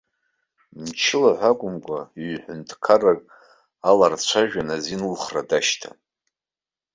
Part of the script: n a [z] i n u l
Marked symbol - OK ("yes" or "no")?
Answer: yes